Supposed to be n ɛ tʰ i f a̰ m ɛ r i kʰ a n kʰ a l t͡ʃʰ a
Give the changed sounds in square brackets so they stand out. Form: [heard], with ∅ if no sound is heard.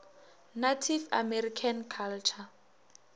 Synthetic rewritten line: n [a] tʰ i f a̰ m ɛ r i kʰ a n kʰ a l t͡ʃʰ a